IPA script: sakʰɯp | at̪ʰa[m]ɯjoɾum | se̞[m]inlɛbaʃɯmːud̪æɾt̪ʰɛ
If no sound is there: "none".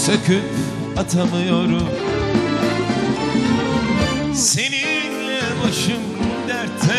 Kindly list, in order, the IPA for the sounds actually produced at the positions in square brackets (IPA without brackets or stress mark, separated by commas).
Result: m, n